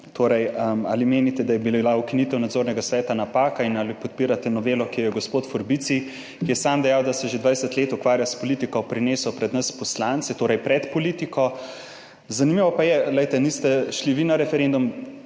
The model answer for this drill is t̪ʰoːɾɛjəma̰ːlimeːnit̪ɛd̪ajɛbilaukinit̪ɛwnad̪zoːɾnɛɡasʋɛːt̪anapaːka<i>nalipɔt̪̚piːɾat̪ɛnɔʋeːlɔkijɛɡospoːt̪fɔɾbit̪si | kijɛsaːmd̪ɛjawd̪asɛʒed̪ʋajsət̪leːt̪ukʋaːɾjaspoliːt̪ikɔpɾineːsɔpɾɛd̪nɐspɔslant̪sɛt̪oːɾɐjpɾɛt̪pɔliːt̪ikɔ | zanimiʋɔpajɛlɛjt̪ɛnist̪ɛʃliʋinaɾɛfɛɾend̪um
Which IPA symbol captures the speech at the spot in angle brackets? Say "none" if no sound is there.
i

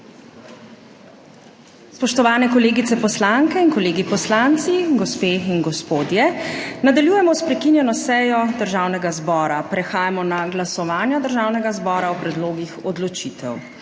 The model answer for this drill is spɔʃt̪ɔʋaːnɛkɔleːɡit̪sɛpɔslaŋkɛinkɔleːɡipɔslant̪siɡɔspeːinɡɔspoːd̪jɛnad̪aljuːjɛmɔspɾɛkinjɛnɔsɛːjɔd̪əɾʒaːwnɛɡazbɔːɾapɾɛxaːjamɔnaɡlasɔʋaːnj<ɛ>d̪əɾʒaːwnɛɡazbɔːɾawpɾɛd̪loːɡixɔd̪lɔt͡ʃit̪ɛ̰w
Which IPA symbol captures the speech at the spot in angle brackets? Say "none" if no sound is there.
a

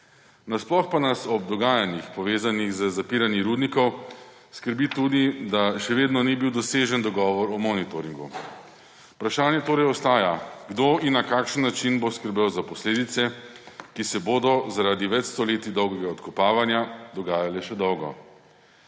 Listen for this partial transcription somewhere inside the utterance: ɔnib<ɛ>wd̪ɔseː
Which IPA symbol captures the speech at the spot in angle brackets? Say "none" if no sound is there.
i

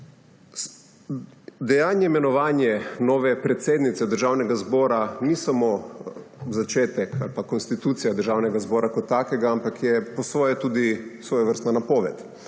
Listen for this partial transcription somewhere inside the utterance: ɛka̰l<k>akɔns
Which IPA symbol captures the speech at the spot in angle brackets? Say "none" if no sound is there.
p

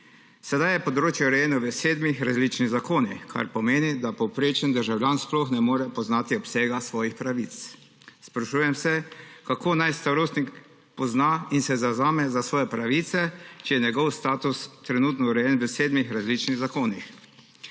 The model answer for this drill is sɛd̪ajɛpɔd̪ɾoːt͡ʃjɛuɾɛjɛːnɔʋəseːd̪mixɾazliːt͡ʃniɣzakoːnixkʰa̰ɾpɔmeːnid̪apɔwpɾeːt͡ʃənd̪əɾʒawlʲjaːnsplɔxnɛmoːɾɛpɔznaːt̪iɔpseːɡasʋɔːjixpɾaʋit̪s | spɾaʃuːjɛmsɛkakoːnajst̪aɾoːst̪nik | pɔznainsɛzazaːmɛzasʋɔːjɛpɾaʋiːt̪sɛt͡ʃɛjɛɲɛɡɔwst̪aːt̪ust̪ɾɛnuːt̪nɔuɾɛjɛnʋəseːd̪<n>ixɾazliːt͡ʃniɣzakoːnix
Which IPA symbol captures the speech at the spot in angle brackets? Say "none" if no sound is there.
m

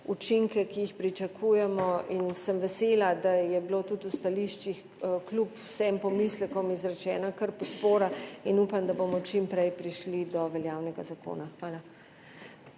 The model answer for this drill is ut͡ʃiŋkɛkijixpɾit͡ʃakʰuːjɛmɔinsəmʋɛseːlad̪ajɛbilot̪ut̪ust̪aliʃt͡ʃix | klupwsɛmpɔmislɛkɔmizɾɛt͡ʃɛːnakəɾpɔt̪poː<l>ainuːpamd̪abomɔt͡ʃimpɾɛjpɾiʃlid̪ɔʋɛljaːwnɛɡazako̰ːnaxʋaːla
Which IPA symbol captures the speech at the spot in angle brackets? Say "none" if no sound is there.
ɾ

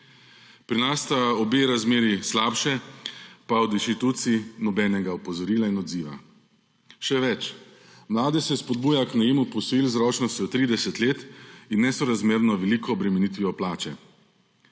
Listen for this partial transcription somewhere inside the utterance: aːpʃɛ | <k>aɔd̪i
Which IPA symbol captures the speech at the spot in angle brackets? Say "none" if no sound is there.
p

